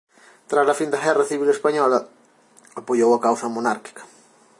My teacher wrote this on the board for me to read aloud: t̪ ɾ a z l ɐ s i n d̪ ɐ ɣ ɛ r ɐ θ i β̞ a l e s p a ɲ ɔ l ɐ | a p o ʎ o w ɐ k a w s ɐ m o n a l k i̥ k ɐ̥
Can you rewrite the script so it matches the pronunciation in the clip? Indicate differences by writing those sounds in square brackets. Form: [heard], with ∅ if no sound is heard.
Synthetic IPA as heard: t̪ ɾ a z l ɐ [f] i n d̪ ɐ ɣ ɛ r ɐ θ i β̞ [i] l e s p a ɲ ɔ l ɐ | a p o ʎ o w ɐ k a w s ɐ m o n a [ɾ] k i̥ k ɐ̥